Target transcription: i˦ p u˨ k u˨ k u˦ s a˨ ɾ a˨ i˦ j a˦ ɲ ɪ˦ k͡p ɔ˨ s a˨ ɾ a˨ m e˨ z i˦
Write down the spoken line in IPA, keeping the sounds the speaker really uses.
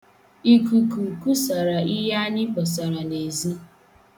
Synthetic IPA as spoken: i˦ k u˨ k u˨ k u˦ s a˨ ɾ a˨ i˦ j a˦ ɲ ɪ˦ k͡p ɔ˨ s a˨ ɾ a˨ n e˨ z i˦